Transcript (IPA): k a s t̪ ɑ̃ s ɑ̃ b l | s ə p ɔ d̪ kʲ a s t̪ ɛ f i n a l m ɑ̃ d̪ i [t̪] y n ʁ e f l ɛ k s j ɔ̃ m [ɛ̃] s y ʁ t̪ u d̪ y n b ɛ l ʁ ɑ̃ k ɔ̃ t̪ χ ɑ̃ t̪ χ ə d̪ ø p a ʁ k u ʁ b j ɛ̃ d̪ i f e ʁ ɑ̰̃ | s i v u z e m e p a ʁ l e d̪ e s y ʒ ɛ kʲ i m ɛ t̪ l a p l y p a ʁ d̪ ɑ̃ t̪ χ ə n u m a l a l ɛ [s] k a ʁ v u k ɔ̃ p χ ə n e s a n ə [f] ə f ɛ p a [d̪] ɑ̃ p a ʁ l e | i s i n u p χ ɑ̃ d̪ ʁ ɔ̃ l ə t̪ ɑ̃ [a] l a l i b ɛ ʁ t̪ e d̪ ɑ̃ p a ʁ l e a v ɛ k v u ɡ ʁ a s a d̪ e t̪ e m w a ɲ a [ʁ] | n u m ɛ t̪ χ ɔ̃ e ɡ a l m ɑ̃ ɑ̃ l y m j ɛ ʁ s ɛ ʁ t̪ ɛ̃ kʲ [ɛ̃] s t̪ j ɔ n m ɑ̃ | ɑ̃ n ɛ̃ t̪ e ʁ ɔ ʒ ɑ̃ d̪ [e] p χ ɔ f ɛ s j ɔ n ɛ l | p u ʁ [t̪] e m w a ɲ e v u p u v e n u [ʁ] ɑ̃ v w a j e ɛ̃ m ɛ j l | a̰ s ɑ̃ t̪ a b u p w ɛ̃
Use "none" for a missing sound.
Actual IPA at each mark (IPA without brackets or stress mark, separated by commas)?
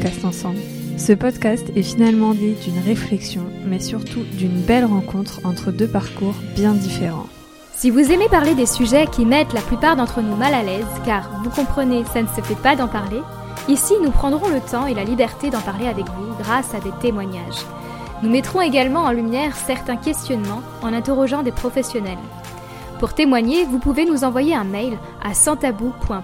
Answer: d̪, ɛ, z, s, d̪, e, ʒ, ɛ, e, t̪, z